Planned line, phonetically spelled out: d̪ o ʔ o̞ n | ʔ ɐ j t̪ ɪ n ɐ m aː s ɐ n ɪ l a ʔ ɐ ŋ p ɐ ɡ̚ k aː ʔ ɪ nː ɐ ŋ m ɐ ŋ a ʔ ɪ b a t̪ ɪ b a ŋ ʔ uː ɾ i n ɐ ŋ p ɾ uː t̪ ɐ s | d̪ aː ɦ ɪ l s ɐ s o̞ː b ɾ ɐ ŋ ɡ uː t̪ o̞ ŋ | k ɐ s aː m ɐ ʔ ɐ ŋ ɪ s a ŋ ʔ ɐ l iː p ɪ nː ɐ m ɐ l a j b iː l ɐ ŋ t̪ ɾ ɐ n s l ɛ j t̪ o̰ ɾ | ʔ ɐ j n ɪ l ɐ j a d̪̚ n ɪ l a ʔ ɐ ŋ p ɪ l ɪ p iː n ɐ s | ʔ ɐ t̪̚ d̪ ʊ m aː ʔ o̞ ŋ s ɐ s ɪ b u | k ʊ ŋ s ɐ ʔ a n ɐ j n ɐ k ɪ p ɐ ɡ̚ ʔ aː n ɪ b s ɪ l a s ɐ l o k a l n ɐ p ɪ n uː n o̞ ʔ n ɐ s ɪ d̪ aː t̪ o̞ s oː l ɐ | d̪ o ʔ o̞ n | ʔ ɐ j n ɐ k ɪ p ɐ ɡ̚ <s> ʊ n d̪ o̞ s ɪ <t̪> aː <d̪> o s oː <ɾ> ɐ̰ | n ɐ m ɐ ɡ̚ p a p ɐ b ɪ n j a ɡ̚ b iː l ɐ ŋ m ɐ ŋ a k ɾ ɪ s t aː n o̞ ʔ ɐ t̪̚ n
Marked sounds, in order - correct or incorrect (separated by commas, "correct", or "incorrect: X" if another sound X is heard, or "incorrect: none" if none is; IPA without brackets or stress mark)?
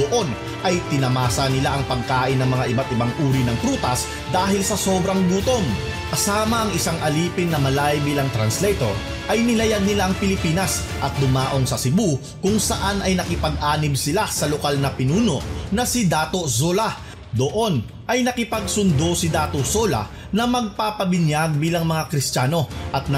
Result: correct, incorrect: d̪, incorrect: t̪, incorrect: l